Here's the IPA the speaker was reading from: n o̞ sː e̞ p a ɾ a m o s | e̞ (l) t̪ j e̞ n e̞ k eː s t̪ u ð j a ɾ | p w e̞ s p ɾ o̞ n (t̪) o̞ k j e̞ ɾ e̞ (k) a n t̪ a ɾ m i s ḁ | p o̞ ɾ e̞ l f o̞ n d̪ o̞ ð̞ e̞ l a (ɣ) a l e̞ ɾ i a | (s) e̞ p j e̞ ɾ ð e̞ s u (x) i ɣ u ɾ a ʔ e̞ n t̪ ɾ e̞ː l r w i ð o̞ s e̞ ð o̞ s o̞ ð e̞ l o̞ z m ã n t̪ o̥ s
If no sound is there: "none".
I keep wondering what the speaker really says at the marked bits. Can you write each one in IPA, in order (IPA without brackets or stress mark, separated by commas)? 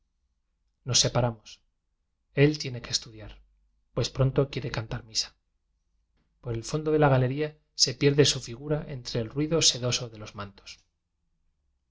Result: l, t̪, k, ɣ, s, f